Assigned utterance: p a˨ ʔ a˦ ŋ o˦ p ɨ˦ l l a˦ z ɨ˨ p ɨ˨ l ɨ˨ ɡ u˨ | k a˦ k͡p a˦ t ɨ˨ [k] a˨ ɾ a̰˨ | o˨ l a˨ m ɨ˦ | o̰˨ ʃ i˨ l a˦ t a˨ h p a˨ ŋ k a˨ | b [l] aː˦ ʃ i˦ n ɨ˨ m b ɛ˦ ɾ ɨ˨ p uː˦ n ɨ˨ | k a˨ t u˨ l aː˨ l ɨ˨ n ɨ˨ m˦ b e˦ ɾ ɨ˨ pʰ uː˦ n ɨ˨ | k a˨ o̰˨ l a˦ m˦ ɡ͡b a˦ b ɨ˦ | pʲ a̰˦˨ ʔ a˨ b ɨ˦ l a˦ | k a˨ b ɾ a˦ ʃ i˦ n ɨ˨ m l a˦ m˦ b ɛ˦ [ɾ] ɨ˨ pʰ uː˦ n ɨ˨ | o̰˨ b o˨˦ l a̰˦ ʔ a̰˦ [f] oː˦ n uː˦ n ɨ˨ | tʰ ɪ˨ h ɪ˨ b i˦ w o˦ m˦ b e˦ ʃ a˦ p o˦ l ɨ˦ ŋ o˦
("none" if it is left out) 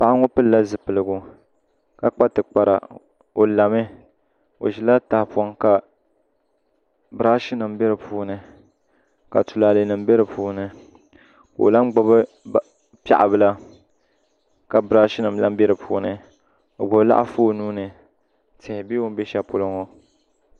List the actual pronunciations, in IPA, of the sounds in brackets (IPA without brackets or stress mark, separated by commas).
k͡p, ɾ, ɾ, f